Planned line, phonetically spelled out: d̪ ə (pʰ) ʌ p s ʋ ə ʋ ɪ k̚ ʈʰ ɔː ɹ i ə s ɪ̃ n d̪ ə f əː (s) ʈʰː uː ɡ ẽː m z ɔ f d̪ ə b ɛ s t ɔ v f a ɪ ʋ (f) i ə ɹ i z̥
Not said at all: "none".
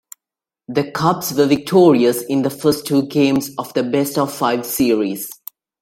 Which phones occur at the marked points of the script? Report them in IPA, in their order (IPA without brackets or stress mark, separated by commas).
kʰ, s, s